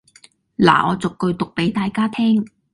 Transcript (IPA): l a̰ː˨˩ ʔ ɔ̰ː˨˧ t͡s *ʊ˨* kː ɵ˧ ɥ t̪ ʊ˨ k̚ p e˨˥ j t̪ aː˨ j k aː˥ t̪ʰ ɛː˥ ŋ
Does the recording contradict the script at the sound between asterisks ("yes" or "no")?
no